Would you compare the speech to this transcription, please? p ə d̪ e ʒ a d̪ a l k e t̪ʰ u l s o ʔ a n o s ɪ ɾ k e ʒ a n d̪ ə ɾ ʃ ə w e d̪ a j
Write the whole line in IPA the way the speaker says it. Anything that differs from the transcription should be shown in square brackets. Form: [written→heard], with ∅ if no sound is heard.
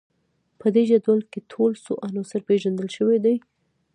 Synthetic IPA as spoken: p ə d̪ e ʒ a d̪ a l k e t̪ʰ [u→o] l s o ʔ a n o s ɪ ɾ [k→p] e ʒ a n d̪ ə [ɾ→l] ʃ ə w e d̪ a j